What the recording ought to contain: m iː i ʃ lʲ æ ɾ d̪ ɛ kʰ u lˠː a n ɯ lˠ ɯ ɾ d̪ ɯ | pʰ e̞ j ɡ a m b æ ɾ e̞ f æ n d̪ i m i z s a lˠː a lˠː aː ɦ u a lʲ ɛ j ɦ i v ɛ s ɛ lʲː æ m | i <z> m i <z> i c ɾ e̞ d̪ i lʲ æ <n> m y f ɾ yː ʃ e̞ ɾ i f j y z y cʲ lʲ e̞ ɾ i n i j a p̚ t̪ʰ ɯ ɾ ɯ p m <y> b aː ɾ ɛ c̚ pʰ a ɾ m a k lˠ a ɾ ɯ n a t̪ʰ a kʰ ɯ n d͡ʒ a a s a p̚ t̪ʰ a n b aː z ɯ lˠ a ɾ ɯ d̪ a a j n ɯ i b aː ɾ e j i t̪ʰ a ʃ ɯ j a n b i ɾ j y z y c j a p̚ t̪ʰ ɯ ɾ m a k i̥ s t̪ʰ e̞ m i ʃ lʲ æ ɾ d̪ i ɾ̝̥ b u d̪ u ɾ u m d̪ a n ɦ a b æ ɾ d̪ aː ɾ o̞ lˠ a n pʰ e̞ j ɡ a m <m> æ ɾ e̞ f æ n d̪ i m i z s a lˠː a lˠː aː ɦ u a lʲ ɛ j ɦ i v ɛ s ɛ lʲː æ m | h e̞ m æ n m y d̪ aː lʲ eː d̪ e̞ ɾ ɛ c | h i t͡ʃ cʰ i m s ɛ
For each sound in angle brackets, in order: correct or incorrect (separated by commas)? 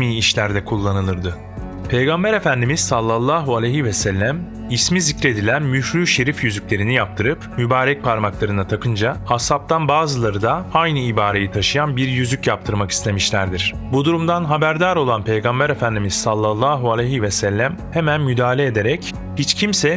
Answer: incorrect, correct, correct, correct, incorrect